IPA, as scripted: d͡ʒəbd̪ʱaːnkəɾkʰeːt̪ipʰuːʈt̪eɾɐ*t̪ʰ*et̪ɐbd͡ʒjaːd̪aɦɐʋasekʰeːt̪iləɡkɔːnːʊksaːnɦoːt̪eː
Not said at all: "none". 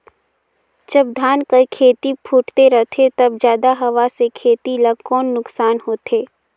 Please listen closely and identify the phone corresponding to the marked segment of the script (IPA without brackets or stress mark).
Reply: t̪ʰ